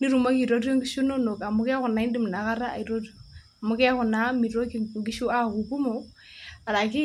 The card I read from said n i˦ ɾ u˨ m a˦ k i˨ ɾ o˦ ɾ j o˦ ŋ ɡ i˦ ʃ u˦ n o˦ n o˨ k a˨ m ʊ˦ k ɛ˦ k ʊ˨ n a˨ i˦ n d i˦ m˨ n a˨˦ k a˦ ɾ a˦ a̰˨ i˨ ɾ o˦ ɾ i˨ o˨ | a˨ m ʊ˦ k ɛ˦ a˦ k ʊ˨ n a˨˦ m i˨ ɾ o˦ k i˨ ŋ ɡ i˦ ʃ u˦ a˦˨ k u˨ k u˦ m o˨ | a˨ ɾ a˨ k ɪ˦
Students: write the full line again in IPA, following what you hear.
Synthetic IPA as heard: n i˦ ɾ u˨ m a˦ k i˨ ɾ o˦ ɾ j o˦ ŋ ɡ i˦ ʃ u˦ n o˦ n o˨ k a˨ m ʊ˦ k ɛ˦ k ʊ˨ n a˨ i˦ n d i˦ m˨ n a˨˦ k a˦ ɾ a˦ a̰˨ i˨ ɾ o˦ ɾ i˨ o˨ | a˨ m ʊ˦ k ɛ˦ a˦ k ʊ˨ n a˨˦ m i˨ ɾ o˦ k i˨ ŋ ɡ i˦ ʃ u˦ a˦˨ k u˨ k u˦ m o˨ | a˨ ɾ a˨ k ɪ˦